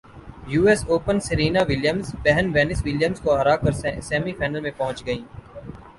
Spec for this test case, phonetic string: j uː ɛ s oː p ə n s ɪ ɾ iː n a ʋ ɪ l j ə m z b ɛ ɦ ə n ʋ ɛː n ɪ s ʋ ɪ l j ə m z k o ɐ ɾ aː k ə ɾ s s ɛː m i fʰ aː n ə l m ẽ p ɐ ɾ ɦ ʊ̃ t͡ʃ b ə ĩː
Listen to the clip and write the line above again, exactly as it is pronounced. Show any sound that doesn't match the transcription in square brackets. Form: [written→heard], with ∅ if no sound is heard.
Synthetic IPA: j uː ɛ s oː p ə n s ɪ ɾ iː n a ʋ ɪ l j ə m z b ɛ ɦ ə n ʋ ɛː n ɪ s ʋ ɪ l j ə m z k o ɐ ɾ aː k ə ɾ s s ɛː m i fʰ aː n ə l m ẽ p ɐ [ɾ→∅] ɦ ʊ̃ t͡ʃ [b→ɡ] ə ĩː